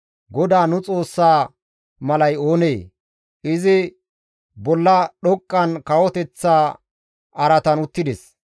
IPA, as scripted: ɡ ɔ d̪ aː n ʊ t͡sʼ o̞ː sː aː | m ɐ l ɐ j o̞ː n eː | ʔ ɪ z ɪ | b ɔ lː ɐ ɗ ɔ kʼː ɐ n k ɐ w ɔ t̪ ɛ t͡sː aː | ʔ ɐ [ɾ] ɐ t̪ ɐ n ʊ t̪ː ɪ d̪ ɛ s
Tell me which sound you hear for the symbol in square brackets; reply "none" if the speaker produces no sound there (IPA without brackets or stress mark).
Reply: ɾ